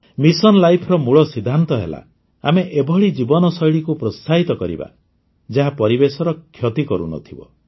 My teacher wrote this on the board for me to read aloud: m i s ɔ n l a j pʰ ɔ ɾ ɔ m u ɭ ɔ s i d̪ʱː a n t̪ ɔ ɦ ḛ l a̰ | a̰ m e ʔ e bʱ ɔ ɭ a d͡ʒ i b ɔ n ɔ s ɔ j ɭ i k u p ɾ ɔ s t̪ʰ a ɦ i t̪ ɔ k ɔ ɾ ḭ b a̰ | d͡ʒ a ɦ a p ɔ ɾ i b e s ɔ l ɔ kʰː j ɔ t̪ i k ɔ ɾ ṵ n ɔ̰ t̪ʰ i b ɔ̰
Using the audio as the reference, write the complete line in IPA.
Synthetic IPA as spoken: m i s ɔ n l a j pʰ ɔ ɾ ɔ m u ɭ ɔ s i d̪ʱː a n t̪ ɔ ɦ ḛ l a̰ | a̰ m e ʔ e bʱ ɔ ɭ i d͡ʒ i b ɔ n ɔ s ɔ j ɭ i k u p ɾ ɔ s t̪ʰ a ɦ i t̪ ɔ k ɔ ɾ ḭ b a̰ | d͡ʒ a ɦ a p ɔ ɾ i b e s ɔ ɾ ɔ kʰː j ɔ t̪ i k ɔ ɾ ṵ n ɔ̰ t̪ʰ i b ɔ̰